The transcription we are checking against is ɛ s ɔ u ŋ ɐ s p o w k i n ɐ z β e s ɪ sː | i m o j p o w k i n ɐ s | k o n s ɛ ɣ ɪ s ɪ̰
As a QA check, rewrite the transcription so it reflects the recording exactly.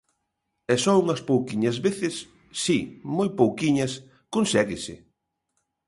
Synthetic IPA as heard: ɛ s ɔ u ŋ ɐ s p o w k i ɲ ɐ z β e θ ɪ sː | i m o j p o w k i ɲ ɐ s | k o n s ɛ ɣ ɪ s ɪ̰